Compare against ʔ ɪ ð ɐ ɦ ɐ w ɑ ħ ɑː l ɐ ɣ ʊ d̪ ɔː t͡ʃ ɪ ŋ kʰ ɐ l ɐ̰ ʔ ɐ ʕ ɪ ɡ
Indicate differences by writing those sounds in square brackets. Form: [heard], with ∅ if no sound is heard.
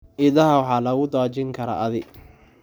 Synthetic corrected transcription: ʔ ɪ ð ɐ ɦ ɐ w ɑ ħ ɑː l ɐ ɣ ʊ d̪ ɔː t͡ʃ ɪ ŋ kʰ ɐ [ɾ] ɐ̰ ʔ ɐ [ð] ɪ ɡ